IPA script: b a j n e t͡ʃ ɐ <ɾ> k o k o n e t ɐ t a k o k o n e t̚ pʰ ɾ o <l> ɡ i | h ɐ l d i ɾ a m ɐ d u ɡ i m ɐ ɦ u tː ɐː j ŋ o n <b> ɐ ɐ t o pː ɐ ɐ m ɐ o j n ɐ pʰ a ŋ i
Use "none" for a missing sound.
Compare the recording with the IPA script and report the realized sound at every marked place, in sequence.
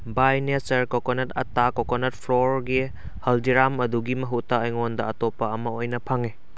ɾ, ɾ, d

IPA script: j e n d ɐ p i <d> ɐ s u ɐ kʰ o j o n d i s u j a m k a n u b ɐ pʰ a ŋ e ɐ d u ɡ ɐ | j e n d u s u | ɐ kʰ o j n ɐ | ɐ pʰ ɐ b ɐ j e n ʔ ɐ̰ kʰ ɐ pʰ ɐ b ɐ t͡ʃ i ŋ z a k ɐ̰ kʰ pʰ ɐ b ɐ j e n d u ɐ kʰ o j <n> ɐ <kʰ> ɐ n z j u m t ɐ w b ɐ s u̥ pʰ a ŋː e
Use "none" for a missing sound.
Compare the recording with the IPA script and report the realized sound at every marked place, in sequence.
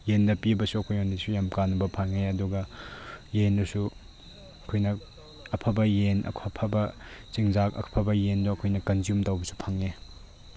b, n, k

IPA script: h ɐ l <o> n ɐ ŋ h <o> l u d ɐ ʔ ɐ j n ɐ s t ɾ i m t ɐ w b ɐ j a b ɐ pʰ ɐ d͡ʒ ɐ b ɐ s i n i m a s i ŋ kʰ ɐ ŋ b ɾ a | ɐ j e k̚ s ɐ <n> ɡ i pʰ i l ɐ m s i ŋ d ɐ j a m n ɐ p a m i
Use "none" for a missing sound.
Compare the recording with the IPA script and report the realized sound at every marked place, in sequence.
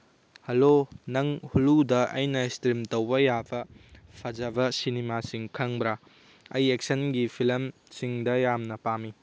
o, u, n

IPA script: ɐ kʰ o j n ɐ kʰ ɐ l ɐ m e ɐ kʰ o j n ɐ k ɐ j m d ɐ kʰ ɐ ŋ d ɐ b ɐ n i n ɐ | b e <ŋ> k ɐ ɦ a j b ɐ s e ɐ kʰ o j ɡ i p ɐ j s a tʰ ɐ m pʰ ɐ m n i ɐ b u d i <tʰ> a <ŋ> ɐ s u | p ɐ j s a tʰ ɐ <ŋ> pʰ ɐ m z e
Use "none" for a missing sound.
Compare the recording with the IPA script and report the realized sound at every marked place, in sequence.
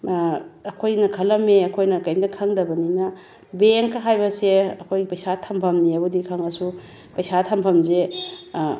ŋ, kʰ, ŋ, m

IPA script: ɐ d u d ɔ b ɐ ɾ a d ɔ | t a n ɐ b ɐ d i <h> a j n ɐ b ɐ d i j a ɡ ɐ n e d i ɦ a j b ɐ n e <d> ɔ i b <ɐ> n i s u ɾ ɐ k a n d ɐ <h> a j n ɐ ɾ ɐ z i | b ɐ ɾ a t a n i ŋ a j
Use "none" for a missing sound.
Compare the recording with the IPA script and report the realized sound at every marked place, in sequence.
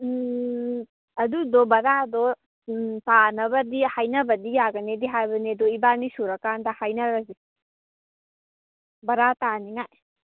h, d, a, h

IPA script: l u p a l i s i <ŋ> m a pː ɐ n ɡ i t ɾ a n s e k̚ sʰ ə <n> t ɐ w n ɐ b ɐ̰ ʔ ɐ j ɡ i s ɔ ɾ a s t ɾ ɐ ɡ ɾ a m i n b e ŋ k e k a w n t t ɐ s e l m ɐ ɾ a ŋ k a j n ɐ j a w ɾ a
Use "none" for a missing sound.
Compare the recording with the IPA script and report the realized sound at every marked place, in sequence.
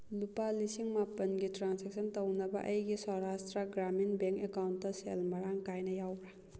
ŋ, n

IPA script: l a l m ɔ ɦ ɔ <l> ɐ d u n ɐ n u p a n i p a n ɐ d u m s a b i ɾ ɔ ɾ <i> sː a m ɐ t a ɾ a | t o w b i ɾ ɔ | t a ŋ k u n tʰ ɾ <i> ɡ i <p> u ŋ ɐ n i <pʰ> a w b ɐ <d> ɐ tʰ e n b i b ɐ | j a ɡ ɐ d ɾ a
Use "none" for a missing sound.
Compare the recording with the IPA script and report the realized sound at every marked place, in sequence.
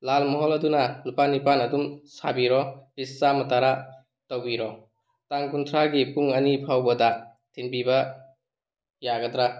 l, i, a, p, pʰ, d

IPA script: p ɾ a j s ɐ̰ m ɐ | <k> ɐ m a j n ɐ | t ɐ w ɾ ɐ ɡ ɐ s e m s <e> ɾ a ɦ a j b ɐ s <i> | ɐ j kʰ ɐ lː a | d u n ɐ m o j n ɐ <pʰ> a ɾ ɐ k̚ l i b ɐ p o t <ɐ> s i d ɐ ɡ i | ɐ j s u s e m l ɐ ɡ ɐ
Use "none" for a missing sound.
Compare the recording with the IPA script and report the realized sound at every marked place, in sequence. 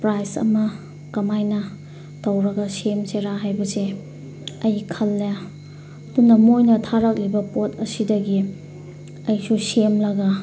k, e, e, tʰ, ɐ

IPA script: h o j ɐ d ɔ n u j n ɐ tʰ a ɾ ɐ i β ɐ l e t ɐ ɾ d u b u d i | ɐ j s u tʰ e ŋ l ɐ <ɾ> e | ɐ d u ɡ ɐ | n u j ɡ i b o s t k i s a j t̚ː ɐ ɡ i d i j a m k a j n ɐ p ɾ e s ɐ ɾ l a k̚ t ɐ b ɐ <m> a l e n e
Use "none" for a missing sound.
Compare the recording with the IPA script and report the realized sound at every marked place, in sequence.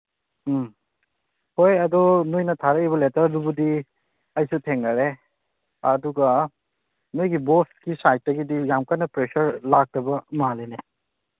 ɾ, m

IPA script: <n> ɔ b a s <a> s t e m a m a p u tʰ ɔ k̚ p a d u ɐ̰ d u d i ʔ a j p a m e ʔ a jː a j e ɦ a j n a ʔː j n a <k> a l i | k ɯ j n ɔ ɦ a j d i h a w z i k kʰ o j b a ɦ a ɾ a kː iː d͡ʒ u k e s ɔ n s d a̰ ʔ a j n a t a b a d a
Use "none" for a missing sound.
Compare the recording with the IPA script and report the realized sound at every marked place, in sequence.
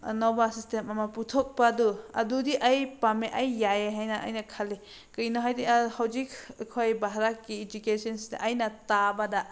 n, i, kʰ

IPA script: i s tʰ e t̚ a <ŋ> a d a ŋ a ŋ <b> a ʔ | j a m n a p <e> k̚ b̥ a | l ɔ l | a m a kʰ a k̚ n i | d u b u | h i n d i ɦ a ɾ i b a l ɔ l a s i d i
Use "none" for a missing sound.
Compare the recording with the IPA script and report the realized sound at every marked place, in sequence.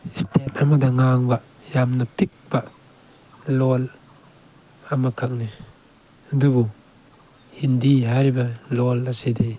m, b, i

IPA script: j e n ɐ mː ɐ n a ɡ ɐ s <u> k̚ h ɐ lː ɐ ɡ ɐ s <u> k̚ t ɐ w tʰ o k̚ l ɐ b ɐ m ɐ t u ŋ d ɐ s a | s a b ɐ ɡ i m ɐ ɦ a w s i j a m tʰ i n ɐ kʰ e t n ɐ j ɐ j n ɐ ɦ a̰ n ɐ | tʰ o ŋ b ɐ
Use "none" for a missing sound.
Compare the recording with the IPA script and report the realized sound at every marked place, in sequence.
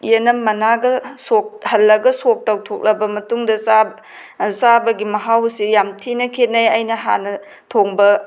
o, o

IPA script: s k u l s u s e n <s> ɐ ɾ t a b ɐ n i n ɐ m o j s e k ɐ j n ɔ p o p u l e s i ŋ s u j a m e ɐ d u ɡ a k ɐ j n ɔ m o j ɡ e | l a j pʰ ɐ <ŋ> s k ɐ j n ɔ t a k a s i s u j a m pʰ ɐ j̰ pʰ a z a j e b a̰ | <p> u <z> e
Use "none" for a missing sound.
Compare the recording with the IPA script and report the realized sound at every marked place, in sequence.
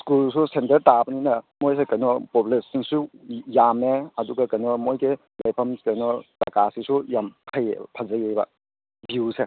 t, m, b, s

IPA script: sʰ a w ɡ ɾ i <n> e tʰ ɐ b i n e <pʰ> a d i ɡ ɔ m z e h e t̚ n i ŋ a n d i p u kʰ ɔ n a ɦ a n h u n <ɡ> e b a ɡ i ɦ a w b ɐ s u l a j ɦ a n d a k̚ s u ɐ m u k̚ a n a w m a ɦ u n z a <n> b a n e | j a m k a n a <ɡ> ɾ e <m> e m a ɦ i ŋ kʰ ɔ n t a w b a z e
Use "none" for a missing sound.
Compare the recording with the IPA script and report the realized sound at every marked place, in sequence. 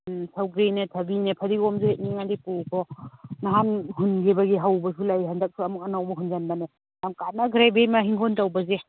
n, pʰ, ɡ, n, ɡ, b

